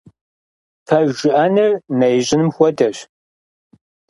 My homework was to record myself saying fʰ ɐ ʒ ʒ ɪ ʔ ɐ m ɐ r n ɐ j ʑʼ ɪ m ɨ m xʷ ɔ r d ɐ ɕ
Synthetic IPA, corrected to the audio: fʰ ɐ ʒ ʒ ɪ ʔ ɐ n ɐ r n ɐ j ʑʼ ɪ n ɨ m xʷ ɔ d ɐ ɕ

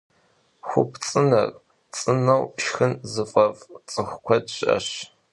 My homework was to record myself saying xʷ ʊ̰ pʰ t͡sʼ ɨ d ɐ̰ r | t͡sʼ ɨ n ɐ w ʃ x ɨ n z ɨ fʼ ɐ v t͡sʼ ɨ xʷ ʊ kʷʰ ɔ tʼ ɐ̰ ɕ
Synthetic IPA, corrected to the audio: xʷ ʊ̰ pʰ t͡sʼ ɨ n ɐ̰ r | t͡sʼ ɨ n ɐ w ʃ x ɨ n z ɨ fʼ ɐ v t͡sʼ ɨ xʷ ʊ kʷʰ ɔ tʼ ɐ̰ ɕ

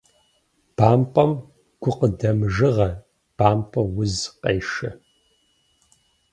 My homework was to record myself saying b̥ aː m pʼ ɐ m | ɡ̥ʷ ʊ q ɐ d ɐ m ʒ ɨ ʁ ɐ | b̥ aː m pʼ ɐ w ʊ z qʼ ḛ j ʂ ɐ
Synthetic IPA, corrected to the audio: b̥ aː m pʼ ɐ m | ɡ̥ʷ ʊ q ə d ɐ m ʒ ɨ ʁ ɐ | b̥ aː m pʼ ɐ w ʊ z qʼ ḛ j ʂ ɐ

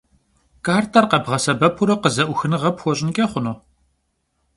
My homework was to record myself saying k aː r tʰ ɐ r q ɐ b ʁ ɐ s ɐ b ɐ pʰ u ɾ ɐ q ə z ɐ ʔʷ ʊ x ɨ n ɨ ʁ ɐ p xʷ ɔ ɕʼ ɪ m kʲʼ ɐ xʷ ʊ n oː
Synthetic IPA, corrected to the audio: k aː r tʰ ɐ r q ɐ b ʁ ɐ s ɐ b ɐ pʰ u ɾ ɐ q ə z ɐ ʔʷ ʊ x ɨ n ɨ ʁ ɐ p xʷ ɔ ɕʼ ɪ n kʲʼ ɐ χʷ ʊ n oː

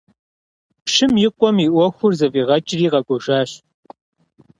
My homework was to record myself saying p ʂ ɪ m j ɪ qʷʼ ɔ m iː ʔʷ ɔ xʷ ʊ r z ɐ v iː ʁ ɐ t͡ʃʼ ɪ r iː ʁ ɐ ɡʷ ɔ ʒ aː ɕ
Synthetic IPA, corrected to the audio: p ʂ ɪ m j ɪ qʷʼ ɔ m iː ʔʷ ɔ xʷ ʊ r z ɐ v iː ʁ ɐ t͡ʃʼ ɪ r iː ʁ ɐ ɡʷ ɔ ʒ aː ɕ

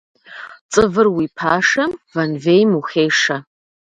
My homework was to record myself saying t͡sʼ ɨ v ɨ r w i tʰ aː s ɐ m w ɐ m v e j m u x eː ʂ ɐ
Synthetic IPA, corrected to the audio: t͡sʼ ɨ v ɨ r w i pʰ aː ʂ ɐ m v ɐ n v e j m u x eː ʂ ɐ

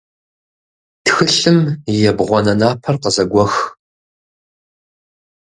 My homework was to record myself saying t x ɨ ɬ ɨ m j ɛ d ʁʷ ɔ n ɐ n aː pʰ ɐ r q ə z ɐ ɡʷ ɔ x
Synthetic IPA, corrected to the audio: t x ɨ ɬ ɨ m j ɛ b ʁʷ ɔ n ɐ n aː pʰ ɐ r q ə z ɐ ɡʷ ɔ x

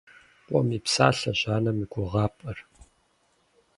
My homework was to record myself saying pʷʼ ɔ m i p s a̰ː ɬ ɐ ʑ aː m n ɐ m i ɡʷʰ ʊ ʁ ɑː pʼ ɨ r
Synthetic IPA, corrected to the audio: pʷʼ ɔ m i p s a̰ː ɬ ɐ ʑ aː n ɐ m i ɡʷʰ ʊ ʁ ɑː pʼ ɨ r

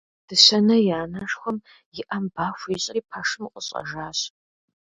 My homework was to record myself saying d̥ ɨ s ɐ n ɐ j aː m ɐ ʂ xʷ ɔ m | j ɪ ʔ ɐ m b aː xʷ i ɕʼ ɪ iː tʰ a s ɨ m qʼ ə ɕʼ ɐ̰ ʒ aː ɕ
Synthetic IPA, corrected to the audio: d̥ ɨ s ɐ n ɐ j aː n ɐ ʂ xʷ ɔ m | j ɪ ʔ ɐ m b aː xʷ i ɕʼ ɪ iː pʰ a ʂ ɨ m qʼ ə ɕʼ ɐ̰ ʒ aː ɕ

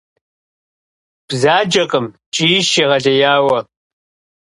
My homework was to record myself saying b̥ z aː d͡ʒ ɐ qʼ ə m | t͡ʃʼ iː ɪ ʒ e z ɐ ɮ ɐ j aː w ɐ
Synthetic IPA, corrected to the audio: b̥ z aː d͡ʒ ɐ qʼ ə m | t͡ʃʼ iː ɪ ʃ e ʁ ɐ ɮ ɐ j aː w ɐ

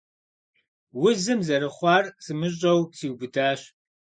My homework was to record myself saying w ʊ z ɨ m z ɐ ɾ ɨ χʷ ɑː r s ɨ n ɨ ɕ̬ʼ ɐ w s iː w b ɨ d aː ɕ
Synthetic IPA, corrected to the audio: w ʊ z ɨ m z ɐ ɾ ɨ χʷ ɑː r s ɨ m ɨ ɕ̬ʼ ɐ w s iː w b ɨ d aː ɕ

